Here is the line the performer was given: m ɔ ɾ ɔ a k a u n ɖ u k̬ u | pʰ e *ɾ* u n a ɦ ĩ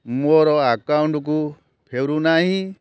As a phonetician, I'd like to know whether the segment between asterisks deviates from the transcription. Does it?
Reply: no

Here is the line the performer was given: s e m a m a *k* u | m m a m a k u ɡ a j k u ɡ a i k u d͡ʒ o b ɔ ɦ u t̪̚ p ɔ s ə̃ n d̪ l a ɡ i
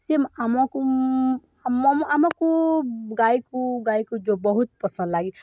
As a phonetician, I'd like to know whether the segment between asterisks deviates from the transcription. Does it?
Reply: no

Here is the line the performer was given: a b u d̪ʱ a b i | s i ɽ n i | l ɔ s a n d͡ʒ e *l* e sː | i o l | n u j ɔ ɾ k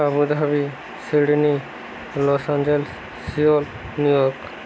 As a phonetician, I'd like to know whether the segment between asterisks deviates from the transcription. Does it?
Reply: no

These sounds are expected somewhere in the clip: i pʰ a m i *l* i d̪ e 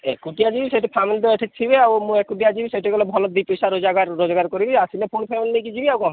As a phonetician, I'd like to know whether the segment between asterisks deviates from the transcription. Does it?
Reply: no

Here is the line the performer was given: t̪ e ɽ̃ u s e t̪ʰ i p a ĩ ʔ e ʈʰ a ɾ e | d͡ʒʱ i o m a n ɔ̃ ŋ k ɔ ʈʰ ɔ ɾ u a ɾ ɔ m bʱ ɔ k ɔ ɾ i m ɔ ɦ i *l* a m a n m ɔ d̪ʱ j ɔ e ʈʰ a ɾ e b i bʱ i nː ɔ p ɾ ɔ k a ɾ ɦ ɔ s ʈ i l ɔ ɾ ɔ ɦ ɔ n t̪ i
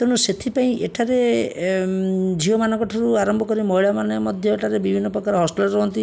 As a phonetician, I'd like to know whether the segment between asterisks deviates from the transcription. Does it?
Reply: yes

